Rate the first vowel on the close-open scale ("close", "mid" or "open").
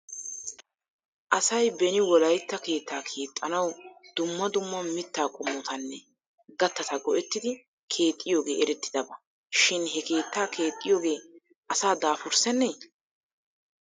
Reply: open